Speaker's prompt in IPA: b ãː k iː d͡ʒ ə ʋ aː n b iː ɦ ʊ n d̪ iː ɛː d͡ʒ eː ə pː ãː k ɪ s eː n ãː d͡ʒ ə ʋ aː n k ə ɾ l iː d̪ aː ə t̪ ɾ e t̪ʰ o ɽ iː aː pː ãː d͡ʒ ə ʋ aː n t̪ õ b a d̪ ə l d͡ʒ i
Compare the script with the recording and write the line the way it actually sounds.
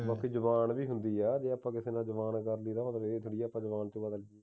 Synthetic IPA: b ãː k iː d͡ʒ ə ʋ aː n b iː ɦ ʊ n d̪ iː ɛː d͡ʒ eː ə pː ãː k ɪ s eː n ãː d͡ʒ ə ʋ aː n k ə ɾ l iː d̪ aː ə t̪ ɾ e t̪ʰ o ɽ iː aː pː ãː d͡ʒ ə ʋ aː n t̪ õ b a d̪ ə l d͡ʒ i